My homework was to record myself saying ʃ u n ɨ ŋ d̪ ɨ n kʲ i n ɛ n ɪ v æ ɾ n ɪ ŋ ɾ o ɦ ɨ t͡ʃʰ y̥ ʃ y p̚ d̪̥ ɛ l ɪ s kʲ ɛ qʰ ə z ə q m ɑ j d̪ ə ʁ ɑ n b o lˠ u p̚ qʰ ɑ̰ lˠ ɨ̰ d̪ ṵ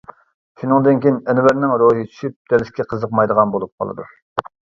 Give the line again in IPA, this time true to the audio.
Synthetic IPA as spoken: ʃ u n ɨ ŋ d̪ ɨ n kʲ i n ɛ n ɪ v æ ɾ n ɪ ŋ ɾ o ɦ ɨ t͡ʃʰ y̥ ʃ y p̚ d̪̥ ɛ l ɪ s kʲ ɛ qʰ ə z ə q m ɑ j d̪ ə ʁ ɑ n b o lˠ u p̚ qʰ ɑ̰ lˠ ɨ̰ d̪ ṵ